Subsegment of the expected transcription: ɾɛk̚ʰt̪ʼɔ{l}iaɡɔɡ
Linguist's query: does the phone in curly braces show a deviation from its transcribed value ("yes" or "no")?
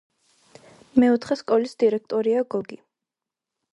yes